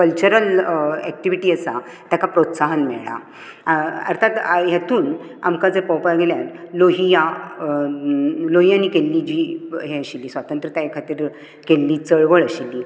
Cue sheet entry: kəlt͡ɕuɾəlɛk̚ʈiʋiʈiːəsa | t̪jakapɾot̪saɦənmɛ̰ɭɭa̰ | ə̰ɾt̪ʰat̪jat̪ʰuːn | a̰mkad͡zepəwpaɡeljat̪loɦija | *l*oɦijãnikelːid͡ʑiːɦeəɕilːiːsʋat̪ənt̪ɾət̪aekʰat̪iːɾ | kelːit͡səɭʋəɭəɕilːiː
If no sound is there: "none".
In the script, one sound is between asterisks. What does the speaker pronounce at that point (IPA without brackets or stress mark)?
l